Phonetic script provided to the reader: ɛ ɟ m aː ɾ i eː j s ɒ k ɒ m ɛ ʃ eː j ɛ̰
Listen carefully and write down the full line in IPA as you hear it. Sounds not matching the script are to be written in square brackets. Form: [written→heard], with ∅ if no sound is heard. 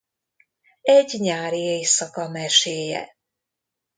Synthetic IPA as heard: ɛ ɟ [m→ɲ] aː ɾ i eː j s ɒ k ɒ m ɛ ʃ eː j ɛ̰